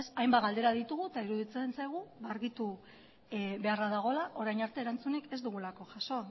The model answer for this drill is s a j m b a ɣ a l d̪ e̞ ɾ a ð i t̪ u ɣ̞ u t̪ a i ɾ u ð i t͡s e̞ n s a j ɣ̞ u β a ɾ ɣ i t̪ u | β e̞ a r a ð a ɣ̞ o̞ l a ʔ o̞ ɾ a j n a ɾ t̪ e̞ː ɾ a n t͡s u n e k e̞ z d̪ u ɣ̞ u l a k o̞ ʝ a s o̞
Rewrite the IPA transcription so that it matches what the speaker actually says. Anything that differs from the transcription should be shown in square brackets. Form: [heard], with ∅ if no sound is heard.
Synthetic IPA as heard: s a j m b a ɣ a l d̪ e̞ ɾ a ð i t̪ u ɣ̞ u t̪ a i ɾ u ð i t͡s e̞ n s a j ɣ̞ u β a ɾ ɣ i t̪ u | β e̞ a r a ð a ɣ̞ o̞ l a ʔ o̞ ɾ a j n a ɾ t̪ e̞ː ɾ a n t͡s u n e k e̞ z d̪ u ɣ̞ u l a k o̞ ʝ a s o̞

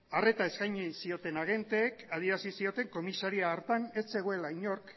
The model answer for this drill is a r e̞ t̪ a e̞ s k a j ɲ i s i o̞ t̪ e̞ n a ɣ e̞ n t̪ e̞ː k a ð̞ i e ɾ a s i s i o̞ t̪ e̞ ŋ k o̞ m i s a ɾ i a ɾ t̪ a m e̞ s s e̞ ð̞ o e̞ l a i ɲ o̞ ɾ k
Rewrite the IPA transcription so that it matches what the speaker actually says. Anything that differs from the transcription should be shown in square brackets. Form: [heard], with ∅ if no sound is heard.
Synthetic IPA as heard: a r e̞ t̪ a e̞ s k a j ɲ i s i o̞ t̪ e̞ n a ɣ e̞ n t̪ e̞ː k a ð̞ i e ɾ a s i s i o̞ t̪ e̞ ŋ k o̞ m i s a ɾ i a ɾ t̪ a [n] e̞ s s e̞ [ɣ̞] o e̞ l a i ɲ o̞ ɾ k

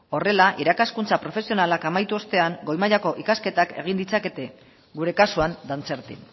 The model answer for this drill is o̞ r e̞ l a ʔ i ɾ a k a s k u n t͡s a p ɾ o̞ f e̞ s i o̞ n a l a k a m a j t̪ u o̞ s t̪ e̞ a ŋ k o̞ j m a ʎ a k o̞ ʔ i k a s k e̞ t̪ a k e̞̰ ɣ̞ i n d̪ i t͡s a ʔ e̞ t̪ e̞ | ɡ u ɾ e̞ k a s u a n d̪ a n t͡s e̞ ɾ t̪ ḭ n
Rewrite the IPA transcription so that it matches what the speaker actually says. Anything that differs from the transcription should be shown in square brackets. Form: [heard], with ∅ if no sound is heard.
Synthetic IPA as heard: o̞ r e̞ l a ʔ i ɾ a k a s k u n t͡s a p ɾ o̞ f e̞ s i o̞ n a l a k a m a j t̪ u o̞ s t̪ e̞ a ŋ [ɡ] o̞ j m a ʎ a k o̞ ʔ i k a s k e̞ t̪ a k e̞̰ ɣ̞ i n d̪ i t͡s a [k] e̞ t̪ e̞ | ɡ u ɾ e̞ k a s u a n d̪ a n t͡s e̞ ɾ t̪ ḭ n

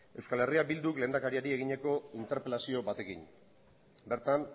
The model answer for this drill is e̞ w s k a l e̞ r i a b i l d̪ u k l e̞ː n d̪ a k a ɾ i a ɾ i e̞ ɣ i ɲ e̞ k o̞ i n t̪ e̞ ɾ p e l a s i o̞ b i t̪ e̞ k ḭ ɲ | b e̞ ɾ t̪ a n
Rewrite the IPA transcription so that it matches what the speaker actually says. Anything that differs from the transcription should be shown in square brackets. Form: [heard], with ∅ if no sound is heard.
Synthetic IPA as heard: e̞ w s k a l e̞ r i a b i l d̪ u k l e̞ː n d̪ a k a ɾ i a ɾ i e̞ ɣ i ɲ e̞ k o̞ i n t̪ e̞ ɾ p e l a s i o̞ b [a] t̪ e̞ k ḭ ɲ | b e̞ ɾ t̪ a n

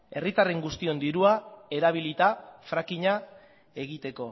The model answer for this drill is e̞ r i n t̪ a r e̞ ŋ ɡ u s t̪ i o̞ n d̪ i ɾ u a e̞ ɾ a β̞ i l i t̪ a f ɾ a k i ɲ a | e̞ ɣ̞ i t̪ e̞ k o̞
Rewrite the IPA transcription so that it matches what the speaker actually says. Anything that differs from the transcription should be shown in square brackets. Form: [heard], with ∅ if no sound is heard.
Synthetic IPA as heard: e̞ r i [∅] t̪ a r e̞ ŋ ɡ u s t̪ i o̞ n d̪ i ɾ u a e̞ ɾ a β̞ i l i t̪ a f ɾ a k i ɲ a | e̞ ɣ̞ i t̪ e̞ k o̞

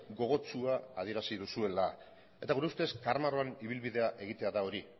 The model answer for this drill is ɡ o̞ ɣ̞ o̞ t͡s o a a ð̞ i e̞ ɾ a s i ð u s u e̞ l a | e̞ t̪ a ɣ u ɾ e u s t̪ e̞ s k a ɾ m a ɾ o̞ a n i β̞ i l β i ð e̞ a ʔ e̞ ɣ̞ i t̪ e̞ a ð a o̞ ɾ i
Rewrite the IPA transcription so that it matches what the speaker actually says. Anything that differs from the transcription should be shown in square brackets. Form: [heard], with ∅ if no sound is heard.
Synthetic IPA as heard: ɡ o̞ ɣ̞ o̞ t͡s [u] a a ð̞ i e̞ ɾ a s i ð u s u e̞ l a | e̞ t̪ a ɣ u ɾ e u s t̪ e̞ s k a ɾ m a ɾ o̞ a n i β̞ i l β i ð e̞ a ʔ e̞ ɣ̞ i t̪ e̞ a ð a o̞ ɾ i

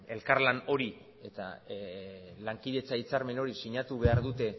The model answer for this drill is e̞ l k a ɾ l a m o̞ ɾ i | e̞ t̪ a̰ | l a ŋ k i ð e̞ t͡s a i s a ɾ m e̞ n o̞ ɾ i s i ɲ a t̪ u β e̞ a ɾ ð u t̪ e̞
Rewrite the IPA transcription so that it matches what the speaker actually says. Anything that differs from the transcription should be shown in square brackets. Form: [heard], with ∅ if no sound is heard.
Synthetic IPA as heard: e̞ l k a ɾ l a [n] o̞ ɾ i | e̞ t̪ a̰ | l a ŋ k i ð e̞ t͡s a i [t͡s] a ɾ m e̞ n o̞ ɾ i s i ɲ a t̪ u β e̞ a ɾ ð u t̪ e̞

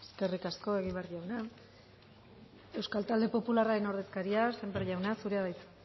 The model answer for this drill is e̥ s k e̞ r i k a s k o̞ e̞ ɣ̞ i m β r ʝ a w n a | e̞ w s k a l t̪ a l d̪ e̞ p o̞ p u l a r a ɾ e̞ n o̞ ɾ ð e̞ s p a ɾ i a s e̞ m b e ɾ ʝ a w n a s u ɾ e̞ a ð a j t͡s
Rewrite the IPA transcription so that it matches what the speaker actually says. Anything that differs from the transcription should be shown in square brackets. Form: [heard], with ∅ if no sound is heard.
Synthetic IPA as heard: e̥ s k e̞ r i k a s k o̞ e̞ ɣ̞ i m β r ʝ a w n a | e̞ w s k a l t̪ a l d̪ e̞ p o̞ p u l a r a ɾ e̞ n o̞ ɾ ð e̞ s [k] a ɾ i a s e̞ m b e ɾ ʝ a w n a s u ɾ e̞ a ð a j t͡s

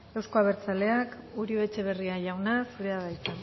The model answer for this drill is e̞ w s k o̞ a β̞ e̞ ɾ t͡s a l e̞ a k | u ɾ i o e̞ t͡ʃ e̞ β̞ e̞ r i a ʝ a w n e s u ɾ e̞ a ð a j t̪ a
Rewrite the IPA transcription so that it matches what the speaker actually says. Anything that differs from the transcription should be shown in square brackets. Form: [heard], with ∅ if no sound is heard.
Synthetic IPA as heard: e̞ w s k o̞ a β̞ e̞ ɾ t͡s a l e̞ a k | u ɾ i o e̞ t͡ʃ e̞ β̞ e̞ r i a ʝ a w n [a] s u ɾ e̞ a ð a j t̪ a

